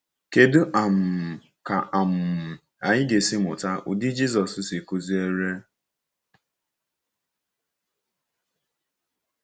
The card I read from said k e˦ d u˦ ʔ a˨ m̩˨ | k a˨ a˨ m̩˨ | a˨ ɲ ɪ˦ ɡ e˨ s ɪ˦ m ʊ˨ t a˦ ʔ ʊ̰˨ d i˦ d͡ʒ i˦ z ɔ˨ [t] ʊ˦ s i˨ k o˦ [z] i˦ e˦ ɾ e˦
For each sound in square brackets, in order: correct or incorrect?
incorrect: s, correct

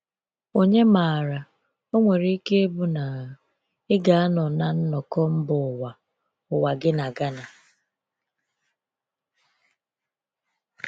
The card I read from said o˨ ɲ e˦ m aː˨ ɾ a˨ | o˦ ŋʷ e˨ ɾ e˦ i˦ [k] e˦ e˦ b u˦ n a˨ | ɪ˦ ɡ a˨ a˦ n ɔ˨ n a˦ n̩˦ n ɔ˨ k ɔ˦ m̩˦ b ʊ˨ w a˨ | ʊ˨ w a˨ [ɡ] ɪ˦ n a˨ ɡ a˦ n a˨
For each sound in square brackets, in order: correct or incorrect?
correct, correct

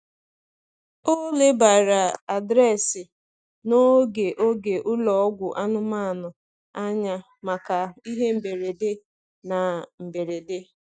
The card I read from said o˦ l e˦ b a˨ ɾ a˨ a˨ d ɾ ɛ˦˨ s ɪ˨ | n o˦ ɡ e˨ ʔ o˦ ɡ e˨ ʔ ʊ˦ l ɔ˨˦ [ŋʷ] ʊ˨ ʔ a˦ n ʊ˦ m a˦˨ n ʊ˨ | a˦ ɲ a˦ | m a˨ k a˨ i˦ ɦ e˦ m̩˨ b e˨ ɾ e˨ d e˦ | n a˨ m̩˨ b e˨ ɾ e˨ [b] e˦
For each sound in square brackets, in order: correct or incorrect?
incorrect: ɡʷ, incorrect: d

